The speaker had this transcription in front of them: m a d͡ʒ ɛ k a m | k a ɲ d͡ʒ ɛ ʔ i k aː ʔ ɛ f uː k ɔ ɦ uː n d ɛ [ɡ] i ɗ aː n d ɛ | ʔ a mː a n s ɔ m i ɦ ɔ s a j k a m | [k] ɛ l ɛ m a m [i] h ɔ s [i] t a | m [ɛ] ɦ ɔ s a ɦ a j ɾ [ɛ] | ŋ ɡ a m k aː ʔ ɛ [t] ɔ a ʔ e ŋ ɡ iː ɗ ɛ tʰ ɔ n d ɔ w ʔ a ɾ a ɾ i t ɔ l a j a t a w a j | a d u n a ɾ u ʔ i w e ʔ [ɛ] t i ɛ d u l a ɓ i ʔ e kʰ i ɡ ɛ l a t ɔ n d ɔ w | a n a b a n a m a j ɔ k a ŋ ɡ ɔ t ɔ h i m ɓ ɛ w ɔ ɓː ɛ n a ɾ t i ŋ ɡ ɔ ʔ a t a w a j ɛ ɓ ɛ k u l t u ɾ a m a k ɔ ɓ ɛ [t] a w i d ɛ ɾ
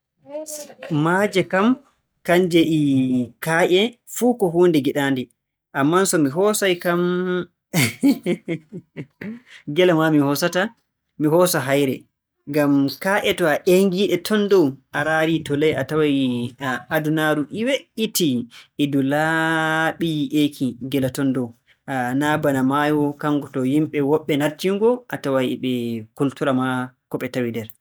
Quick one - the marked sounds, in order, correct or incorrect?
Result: correct, incorrect: ɡ, correct, incorrect: a, incorrect: i, correct, correct, incorrect: i, correct

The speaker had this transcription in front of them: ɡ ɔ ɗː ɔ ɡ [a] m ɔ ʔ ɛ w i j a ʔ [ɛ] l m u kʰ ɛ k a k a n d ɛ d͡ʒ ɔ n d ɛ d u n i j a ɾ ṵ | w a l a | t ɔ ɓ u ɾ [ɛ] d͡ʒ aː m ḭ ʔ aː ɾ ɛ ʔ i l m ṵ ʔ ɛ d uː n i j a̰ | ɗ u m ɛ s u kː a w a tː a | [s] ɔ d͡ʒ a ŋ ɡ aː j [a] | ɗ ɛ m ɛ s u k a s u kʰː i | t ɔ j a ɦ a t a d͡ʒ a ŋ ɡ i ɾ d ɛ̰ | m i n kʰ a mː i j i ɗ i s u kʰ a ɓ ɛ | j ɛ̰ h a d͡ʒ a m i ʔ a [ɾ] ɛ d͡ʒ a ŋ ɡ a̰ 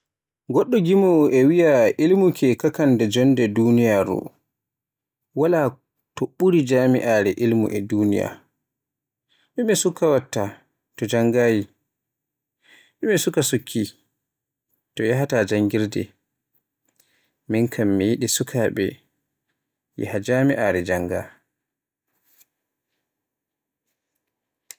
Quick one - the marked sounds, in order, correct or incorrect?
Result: incorrect: i, incorrect: i, incorrect: i, incorrect: t, incorrect: i, correct

